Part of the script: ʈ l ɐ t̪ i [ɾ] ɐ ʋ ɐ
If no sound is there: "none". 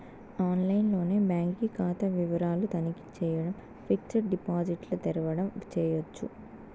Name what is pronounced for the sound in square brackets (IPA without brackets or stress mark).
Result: ɾ